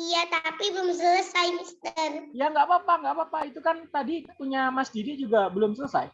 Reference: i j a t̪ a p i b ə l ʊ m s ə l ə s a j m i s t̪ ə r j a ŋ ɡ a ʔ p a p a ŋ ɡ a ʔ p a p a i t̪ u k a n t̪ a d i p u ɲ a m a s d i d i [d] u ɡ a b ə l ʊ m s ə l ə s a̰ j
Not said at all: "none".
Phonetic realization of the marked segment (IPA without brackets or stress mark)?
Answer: d͡ʒ